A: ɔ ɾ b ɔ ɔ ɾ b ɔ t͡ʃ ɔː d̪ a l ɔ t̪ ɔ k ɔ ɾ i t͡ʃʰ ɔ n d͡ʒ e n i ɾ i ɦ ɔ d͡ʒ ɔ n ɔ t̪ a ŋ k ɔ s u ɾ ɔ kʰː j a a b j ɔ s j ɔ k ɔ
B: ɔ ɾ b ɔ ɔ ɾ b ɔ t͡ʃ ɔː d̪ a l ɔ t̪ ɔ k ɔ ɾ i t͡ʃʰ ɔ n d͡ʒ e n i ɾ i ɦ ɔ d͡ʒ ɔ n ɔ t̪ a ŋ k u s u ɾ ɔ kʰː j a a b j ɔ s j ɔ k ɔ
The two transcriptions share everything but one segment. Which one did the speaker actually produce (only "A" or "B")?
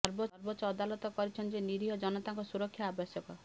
A